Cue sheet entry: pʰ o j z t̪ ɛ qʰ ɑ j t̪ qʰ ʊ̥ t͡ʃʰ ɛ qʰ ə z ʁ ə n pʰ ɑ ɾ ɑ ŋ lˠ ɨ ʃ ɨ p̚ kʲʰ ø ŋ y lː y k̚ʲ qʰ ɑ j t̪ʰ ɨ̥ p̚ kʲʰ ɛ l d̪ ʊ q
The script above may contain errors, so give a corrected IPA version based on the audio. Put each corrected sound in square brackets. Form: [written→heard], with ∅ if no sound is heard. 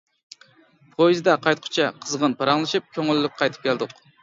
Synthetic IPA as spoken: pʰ o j z [t̪→d̪] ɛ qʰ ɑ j t̪ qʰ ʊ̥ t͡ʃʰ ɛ qʰ ə z ʁ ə n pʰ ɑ ɾ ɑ ŋ lˠ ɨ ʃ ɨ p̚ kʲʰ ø ŋ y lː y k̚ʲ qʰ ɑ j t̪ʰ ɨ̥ p̚ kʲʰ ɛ l d̪ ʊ q